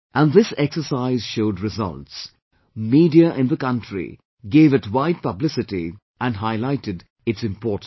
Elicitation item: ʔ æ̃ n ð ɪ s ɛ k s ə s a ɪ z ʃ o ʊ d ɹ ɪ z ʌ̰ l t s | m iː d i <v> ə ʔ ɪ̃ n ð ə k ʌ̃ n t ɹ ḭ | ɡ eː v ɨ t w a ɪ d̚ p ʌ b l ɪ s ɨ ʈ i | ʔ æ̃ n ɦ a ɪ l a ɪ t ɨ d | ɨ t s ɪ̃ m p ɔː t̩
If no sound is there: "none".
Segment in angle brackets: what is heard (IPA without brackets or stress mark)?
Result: none